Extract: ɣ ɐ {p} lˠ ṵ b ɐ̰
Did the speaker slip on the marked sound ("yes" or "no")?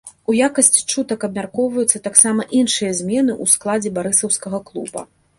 yes